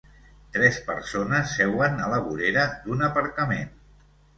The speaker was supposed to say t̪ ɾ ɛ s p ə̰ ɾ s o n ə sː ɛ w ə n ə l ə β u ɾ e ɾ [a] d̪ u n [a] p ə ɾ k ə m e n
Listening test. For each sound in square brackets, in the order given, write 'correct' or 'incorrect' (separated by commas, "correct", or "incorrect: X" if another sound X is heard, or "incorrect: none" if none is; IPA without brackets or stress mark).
incorrect: ə, incorrect: ə